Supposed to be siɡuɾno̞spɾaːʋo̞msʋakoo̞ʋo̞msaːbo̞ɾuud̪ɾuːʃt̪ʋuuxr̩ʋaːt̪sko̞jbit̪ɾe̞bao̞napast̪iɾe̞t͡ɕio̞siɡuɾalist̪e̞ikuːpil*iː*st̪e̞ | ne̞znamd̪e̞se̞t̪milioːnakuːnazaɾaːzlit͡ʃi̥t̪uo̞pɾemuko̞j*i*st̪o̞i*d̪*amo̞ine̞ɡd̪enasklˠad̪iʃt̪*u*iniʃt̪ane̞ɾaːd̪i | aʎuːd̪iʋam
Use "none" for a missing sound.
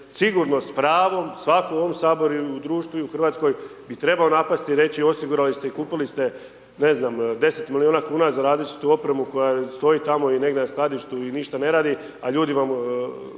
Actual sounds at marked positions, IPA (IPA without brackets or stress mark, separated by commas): i, a, t̪, u